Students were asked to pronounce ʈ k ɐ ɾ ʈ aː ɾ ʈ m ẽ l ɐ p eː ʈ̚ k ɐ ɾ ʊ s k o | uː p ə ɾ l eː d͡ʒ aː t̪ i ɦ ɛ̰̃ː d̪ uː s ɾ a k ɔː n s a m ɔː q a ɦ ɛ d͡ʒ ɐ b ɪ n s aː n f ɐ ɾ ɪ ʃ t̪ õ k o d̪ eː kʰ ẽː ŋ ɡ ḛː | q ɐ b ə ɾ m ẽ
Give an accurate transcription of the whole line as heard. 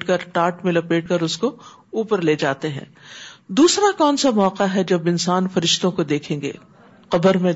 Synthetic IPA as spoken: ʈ k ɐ ɾ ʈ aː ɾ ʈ m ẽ l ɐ p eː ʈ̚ k ɐ ɾ ʊ s k o | uː p ə ɾ l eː d͡ʒ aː t̪ e ɦ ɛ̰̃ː d̪ uː s ɾ a k ɔː n s a m ɔː q a ɦ ɛ d͡ʒ ɐ b ɪ n s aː n f ɐ ɾ ɪ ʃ t̪ õ k o d̪ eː kʰ ẽː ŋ ɡ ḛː | q ɐ b ə ɾ m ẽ